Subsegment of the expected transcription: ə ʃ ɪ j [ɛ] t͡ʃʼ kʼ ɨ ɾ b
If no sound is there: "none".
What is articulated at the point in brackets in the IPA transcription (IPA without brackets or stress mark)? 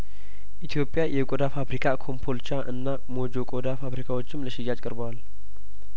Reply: a